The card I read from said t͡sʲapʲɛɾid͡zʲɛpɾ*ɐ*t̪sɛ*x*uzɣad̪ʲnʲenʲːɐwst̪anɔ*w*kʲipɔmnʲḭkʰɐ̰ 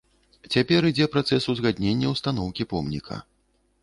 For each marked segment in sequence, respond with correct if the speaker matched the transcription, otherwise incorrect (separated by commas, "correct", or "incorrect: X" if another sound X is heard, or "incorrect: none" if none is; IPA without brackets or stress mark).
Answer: incorrect: a, incorrect: s, correct